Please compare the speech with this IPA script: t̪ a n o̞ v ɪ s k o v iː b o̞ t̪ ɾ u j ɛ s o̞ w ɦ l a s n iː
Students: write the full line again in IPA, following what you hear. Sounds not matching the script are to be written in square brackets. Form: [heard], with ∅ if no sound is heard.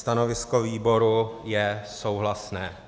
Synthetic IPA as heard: t̪ a n o̞ v ɪ s k o v iː b o̞ [∅] ɾ u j ɛ s o̞ w ɦ l a s n [ɛː]